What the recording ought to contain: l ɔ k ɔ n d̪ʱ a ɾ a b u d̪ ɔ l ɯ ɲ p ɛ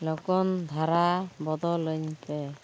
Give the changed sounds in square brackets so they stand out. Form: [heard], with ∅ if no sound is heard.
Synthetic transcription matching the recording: l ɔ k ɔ n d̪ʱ a ɾ a b [ɔ] d̪ ɔ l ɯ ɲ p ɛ